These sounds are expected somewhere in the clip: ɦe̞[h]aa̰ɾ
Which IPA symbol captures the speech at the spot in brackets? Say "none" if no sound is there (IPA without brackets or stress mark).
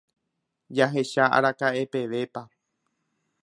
ʃ